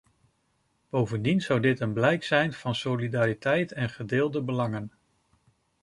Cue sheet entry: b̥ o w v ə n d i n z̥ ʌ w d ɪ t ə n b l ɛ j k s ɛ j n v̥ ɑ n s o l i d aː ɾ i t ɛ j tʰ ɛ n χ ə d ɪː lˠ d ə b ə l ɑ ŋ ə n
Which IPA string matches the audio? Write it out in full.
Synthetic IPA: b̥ o w v ə n d i n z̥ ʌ w d ɪ t ə n b l ɛ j k s ɛ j n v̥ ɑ n s o l i d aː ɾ i t ɛ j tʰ ɛ n χ ə d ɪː lˠ d ə b ə l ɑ ŋ ə n